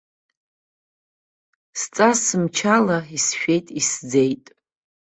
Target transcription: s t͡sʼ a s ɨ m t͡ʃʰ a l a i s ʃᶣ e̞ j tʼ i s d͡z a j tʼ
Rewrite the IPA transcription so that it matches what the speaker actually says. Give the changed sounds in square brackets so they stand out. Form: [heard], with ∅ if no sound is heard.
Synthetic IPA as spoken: s t͡sʼ a s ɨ m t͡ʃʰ a l a i s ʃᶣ e̞ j tʼ i s d͡z [e] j tʼ